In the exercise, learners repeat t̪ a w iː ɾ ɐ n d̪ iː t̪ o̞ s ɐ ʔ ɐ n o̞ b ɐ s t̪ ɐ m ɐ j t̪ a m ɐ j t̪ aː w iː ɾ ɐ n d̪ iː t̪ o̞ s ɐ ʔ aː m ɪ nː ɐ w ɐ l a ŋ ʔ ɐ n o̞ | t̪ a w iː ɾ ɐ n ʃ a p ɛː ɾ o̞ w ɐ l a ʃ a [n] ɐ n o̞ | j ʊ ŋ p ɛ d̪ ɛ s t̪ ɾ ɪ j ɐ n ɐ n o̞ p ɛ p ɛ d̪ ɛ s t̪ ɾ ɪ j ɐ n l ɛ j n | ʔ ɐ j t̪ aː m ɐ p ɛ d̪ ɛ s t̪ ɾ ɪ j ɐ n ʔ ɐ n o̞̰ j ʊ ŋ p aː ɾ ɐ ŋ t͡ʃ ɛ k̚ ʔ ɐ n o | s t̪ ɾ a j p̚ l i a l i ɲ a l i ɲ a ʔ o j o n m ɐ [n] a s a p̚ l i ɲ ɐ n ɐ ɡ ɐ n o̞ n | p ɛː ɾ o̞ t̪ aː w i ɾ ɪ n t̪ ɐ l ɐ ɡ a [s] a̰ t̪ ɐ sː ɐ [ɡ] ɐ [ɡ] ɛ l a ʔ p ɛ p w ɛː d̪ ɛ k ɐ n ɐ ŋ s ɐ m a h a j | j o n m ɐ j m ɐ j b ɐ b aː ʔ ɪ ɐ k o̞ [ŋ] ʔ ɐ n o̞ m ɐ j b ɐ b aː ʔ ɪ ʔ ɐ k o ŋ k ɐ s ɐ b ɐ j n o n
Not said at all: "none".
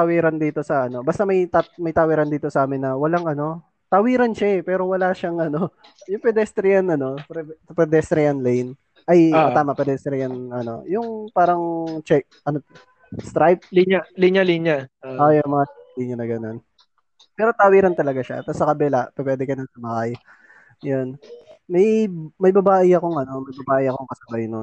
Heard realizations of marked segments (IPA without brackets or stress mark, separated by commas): ŋ, ŋ, ʃ, k, b, ŋ